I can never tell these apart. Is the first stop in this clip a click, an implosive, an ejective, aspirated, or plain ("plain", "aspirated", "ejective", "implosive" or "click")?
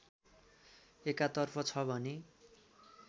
plain